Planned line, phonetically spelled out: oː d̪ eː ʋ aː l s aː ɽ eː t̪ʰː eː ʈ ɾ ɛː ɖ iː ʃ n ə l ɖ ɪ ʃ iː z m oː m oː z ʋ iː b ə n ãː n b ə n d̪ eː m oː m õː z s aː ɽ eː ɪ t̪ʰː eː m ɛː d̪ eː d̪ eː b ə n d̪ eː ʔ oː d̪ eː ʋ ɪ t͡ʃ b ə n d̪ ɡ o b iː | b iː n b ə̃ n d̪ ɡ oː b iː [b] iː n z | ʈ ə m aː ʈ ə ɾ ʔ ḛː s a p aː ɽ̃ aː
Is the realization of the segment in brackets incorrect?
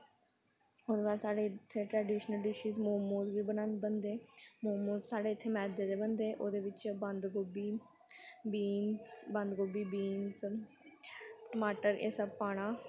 no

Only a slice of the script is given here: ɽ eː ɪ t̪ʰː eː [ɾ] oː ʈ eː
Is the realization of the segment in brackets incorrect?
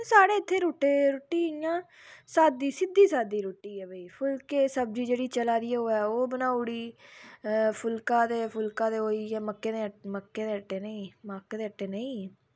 no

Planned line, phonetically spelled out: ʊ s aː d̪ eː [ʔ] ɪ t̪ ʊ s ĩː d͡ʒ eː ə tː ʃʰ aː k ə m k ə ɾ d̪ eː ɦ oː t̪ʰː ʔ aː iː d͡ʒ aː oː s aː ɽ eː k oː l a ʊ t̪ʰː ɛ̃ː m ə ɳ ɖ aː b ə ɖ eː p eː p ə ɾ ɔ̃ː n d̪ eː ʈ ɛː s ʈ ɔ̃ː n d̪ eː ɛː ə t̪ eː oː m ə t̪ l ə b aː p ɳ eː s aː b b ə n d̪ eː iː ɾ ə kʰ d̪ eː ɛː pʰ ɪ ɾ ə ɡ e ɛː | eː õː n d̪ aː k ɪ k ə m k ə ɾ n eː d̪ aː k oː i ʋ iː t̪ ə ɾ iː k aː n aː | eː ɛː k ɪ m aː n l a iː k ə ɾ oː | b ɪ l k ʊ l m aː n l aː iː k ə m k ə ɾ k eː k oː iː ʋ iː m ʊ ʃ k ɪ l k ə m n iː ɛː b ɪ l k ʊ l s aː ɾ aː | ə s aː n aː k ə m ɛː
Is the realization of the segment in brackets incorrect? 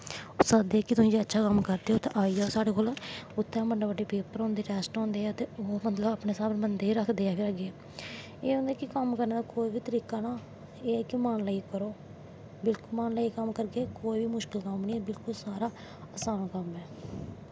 yes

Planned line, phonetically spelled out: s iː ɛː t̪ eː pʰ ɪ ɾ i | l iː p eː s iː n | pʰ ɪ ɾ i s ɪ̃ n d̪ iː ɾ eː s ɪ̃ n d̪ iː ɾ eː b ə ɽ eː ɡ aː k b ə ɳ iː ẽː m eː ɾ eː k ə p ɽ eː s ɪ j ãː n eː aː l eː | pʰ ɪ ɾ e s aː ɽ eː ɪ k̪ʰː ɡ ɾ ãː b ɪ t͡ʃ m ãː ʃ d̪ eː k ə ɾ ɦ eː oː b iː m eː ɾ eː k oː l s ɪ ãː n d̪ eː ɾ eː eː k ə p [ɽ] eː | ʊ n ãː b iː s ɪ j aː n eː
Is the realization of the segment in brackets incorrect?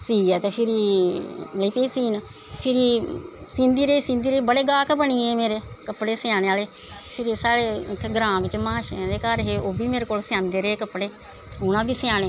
no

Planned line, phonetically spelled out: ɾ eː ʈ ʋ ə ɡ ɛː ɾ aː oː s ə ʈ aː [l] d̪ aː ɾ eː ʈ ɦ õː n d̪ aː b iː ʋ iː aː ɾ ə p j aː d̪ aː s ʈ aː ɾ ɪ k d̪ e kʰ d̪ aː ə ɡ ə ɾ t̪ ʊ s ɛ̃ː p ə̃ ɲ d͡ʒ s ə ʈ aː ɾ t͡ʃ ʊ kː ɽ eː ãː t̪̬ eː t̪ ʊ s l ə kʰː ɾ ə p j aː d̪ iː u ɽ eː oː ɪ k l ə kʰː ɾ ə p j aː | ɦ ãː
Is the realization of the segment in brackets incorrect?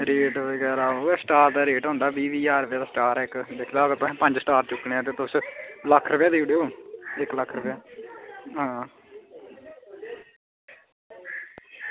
yes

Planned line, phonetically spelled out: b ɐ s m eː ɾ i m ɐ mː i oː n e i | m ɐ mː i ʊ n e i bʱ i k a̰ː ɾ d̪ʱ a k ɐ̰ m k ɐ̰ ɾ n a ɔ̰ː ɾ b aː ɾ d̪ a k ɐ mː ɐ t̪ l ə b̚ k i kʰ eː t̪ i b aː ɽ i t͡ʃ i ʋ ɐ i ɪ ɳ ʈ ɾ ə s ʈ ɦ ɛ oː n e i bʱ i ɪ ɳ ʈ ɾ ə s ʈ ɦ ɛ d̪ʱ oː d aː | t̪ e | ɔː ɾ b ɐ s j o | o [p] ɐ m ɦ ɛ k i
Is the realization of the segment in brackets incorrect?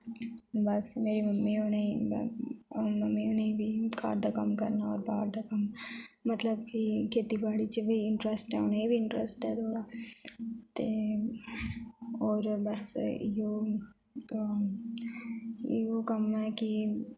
yes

